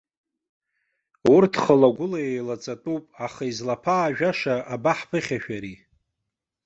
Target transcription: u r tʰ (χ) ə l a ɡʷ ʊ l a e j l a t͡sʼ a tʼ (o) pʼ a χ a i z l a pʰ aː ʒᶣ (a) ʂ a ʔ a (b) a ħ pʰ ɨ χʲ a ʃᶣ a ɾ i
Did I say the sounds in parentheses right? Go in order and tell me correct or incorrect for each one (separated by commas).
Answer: correct, incorrect, correct, correct